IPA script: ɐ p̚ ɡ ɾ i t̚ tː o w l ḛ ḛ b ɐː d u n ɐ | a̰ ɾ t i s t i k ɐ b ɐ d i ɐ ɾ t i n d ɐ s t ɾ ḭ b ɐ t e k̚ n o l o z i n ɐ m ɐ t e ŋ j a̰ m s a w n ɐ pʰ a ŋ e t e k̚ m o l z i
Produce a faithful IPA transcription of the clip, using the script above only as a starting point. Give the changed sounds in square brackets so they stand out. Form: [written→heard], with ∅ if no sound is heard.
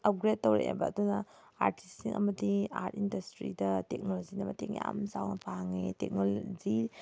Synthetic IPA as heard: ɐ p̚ ɡ ɾ [i→e] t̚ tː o w [l→ɾ] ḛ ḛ b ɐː d u n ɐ | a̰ ɾ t i s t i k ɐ [b→m] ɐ d i [ɐ→a] ɾ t i n d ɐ s t ɾ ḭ [b→d] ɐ t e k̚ n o l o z i n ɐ m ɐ t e ŋ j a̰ m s a w n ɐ pʰ a ŋ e t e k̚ [m→n] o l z i